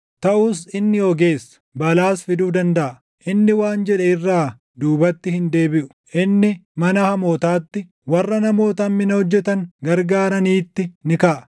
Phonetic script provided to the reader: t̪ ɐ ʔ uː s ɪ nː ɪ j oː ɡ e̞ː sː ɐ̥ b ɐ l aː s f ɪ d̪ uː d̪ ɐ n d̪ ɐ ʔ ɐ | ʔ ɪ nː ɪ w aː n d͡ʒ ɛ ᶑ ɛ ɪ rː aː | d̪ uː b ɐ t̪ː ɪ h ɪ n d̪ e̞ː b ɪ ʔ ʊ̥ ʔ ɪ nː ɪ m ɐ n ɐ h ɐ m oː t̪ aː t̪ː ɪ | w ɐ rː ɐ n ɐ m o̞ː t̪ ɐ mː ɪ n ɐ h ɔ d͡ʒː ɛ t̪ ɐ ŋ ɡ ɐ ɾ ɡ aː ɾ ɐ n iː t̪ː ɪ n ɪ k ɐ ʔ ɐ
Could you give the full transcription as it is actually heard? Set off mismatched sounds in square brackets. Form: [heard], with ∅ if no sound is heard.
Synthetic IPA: t̪ ɐ ʔ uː s ɪ nː ɪ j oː ɡ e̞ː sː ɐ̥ b ɐ l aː s f ɪ d̪ uː d̪ ɐ n d̪ ɐ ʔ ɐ | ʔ ɪ nː ɪ w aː n d͡ʒ ɛ ᶑ ɛ ɪ rː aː | d̪ uː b ɐ t̪ː ɪ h ɪ n d̪ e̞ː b ɪ ʔ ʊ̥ ʔ ɪ nː ɪ m ɐ n ɐ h ɐ m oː t̪ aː t̪ː ɪ | w ɐ rː ɐ n ɐ m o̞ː t̪ ɐ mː ɪ n ɐ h ɔ d͡ʒː ɛ t̪ ɐ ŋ ɡ ɐ ɾ ɡ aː ɾ ɐ n iː t̪ː ɪ n ɪ k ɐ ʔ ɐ

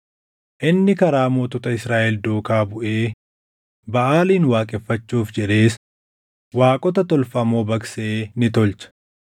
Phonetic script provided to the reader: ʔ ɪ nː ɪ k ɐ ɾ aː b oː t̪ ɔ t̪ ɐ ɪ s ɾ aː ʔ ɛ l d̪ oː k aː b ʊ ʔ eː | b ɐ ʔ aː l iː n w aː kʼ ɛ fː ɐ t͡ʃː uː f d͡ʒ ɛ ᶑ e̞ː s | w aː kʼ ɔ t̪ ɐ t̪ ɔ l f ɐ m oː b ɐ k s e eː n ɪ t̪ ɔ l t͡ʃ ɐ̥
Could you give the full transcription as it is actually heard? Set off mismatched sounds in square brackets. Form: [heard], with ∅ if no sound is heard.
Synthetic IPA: ʔ ɪ nː ɪ k ɐ ɾ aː [m] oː t̪ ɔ t̪ ɐ ɪ s ɾ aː ʔ ɛ l d̪ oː k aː b ʊ ʔ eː | b ɐ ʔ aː l iː n w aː kʼ ɛ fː ɐ t͡ʃː uː f d͡ʒ ɛ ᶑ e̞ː s | w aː kʼ ɔ t̪ ɐ t̪ ɔ l f ɐ m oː b ɐ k s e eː n ɪ t̪ ɔ l t͡ʃ ɐ̥

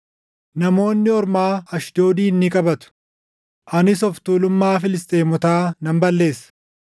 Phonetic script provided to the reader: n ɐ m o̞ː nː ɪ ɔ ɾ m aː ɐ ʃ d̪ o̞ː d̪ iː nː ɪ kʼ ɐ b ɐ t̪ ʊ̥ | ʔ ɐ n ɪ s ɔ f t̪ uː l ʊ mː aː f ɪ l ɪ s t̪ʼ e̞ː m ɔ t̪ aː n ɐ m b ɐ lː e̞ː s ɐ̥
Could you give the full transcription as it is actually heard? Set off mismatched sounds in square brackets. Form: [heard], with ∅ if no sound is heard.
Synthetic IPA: n ɐ m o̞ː nː ɪ ɔ ɾ m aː ɐ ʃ d̪ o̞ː d̪ iː nː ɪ kʼ ɐ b ɐ t̪ ʊ̥ | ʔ ɐ n ɪ s ɔ f t̪ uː l ʊ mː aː f ɪ l ɪ s t̪ʼ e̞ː m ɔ t̪ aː n ɐ m b ɐ lː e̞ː s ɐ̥

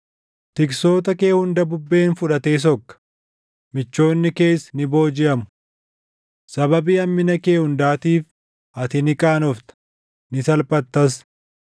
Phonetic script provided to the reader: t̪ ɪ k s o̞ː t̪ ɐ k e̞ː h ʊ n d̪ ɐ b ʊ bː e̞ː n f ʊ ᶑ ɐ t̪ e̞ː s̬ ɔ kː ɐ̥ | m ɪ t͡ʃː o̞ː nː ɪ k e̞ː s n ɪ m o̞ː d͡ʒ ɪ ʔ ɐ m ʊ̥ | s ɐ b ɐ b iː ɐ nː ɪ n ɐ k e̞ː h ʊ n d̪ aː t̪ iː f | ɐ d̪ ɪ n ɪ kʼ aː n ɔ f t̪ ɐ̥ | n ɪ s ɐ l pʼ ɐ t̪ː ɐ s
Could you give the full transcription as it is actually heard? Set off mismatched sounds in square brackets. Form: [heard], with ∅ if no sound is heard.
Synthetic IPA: t̪ ɪ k s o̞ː t̪ ɐ k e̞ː h ʊ n d̪ ɐ b ʊ bː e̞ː n f ʊ ᶑ ɐ t̪ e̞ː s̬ ɔ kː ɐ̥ | m ɪ t͡ʃː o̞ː nː ɪ k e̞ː s n ɪ [b] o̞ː d͡ʒ ɪ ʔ ɐ m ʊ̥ | s ɐ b ɐ b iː ɐ [mː] ɪ n ɐ k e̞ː h ʊ n d̪ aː t̪ iː f | ɐ [t̪] ɪ n ɪ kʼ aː n ɔ f t̪ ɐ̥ | n ɪ s ɐ l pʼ ɐ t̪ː ɐ s

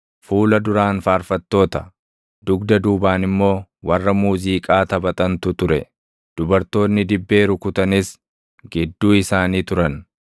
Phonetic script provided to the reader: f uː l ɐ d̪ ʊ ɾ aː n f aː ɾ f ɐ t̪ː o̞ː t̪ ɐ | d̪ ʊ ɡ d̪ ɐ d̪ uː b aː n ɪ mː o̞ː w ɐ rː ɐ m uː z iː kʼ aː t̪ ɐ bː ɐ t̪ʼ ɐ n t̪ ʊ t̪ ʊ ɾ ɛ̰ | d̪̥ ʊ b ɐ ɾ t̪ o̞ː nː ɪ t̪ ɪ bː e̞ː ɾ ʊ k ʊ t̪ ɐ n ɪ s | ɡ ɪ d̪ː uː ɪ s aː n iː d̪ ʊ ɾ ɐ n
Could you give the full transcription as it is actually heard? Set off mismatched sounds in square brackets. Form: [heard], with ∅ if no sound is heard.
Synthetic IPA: f uː l ɐ d̪ ʊ ɾ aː n f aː ɾ f ɐ t̪ː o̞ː t̪ ɐ | d̪ ʊ ɡ d̪ ɐ d̪ uː b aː n ɪ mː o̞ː w ɐ rː ɐ m uː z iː kʼ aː t̪ ɐ [b] ɐ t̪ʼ ɐ n t̪ ʊ t̪ ʊ ɾ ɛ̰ | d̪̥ ʊ b ɐ ɾ t̪ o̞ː nː ɪ [d̪] ɪ bː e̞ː ɾ ʊ k ʊ t̪ ɐ n ɪ s | ɡ ɪ d̪ː uː ɪ s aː n iː [t̪] ʊ ɾ ɐ n

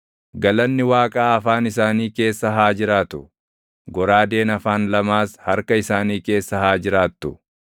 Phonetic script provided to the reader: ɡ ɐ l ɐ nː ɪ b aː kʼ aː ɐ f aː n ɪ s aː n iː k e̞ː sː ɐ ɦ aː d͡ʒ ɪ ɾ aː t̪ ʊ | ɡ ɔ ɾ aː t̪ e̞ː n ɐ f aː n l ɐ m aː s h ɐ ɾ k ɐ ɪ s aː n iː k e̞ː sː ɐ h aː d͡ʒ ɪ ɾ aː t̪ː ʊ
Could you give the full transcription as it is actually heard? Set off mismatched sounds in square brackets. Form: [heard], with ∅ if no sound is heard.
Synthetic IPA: ɡ ɐ l ɐ nː ɪ [w] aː kʼ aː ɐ f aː n ɪ s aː n iː k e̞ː sː ɐ ɦ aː d͡ʒ ɪ ɾ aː t̪ ʊ | ɡ ɔ ɾ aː [d̪] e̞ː n ɐ f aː n l ɐ m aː s h ɐ ɾ k ɐ ɪ s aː n iː k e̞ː sː ɐ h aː d͡ʒ ɪ ɾ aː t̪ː ʊ

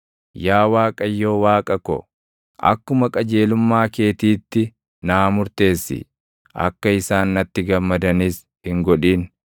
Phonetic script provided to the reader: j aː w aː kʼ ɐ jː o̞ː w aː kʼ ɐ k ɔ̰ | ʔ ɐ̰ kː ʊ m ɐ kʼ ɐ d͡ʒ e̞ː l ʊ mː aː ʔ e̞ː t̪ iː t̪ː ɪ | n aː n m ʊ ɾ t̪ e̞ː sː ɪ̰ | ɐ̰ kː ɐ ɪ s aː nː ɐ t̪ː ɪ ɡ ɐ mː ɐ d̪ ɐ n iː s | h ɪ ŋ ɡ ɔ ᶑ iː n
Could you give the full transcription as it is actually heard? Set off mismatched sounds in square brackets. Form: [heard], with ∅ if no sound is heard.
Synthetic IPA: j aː w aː kʼ ɐ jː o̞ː w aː kʼ ɐ k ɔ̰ | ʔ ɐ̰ kː ʊ m ɐ kʼ ɐ d͡ʒ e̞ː l ʊ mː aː [k] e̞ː t̪ iː t̪ː ɪ | n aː [∅] m ʊ ɾ t̪ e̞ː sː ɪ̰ | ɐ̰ kː ɐ ɪ s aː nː ɐ t̪ː ɪ ɡ ɐ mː ɐ d̪ ɐ n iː s | h ɪ ŋ ɡ ɔ ᶑ iː n

